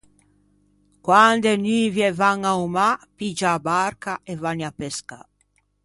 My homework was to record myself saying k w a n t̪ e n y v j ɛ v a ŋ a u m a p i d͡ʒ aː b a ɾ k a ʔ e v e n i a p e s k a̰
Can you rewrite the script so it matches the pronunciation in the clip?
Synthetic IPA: k w a n d̪ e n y v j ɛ v a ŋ a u m a p i d͡ʒ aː b a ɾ k a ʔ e v a n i a p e s k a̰